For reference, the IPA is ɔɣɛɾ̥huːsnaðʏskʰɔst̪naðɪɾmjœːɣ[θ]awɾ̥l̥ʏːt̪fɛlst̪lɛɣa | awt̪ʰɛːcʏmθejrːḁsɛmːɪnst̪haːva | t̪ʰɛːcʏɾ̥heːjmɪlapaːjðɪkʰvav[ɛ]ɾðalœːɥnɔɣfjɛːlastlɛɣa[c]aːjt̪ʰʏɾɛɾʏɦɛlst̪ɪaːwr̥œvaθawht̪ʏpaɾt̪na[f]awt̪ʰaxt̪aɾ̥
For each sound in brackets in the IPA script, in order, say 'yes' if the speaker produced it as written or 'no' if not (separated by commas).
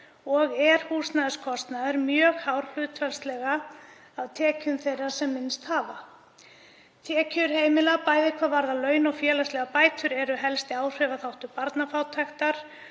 no, no, no, yes